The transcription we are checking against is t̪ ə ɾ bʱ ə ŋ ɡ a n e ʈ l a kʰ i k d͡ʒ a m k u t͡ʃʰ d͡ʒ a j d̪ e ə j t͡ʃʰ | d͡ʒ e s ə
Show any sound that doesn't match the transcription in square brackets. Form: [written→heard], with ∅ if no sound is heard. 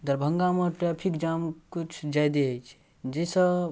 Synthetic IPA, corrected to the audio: [t̪→d̪] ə ɾ bʱ ə ŋ ɡ a [n→m] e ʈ [l→ɾ] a [kʰ→pʰ] i k d͡ʒ a m k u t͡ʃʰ d͡ʒ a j d̪ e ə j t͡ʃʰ | d͡ʒ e s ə